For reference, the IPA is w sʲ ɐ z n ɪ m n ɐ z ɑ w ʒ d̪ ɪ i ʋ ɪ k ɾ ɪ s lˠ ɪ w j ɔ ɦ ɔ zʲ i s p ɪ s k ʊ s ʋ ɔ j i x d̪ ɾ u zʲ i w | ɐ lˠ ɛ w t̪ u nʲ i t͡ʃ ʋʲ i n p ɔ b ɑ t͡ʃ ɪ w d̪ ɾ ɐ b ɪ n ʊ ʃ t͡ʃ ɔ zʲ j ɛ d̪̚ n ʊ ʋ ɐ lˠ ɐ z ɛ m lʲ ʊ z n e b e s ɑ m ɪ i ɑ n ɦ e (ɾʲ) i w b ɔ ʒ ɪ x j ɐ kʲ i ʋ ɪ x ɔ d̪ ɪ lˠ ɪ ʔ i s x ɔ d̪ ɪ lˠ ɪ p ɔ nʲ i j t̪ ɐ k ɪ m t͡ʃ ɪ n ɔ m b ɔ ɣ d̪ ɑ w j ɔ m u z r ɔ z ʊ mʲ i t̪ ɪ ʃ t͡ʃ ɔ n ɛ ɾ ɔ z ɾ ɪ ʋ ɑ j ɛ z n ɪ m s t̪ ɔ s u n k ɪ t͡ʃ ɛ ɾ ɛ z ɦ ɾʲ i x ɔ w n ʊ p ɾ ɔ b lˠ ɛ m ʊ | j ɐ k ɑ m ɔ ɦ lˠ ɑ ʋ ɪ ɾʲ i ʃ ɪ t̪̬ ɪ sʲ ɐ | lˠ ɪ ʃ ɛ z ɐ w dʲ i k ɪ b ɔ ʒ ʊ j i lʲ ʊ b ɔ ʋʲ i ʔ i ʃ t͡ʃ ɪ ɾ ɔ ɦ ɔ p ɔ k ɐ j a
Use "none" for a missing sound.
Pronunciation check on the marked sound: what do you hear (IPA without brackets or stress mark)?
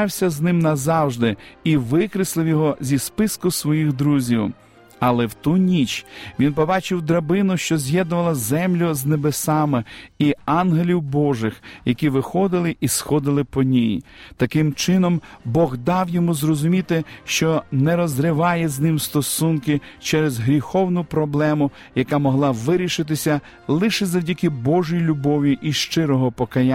lʲ